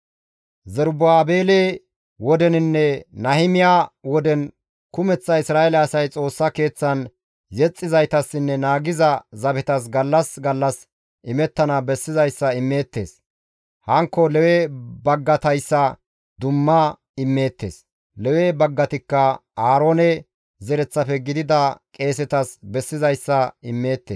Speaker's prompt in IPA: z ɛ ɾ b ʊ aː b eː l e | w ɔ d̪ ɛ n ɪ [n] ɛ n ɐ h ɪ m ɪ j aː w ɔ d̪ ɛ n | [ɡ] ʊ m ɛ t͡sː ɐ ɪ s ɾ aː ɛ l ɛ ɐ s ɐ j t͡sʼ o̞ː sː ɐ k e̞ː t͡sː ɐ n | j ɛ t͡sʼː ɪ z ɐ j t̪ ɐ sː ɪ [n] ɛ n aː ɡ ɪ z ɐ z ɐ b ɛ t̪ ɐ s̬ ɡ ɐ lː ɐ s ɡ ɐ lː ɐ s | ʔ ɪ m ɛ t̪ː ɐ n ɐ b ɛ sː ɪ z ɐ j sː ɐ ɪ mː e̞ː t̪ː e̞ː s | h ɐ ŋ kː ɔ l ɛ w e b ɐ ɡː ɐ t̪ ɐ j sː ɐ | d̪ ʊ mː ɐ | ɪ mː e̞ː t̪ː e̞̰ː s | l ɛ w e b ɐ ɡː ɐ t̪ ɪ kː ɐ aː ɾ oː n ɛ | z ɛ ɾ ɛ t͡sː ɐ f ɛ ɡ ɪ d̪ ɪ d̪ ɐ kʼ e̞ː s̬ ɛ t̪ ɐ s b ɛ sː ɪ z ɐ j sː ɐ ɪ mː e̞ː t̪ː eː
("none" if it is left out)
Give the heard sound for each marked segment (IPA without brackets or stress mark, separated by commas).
nː, k, nː